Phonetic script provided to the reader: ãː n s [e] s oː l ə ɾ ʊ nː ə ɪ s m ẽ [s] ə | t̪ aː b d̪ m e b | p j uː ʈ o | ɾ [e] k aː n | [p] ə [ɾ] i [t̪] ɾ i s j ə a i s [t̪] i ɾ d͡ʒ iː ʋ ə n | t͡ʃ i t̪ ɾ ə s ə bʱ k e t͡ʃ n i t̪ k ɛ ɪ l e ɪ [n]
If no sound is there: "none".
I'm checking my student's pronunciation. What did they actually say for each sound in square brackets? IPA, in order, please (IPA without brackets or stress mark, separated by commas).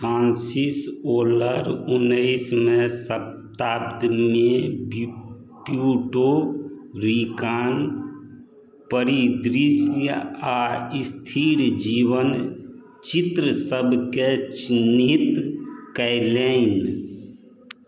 i, s, i, p, ɾ, d̪, t̪ʰ, n